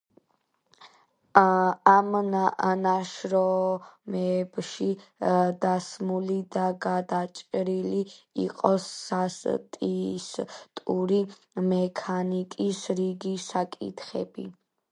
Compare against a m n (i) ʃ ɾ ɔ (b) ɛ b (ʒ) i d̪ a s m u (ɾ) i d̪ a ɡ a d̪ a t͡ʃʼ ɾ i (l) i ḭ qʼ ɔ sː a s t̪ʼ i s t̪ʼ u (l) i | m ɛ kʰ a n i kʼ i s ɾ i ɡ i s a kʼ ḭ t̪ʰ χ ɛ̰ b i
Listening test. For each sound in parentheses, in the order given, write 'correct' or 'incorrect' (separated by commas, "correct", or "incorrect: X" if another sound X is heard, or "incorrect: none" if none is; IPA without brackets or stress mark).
incorrect: a, incorrect: m, incorrect: ʃ, incorrect: l, correct, incorrect: ɾ